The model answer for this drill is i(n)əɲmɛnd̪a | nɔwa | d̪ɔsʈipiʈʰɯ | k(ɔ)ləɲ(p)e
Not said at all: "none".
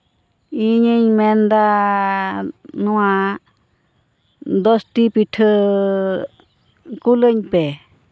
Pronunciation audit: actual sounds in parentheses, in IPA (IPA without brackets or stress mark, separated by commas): ɲ, u, p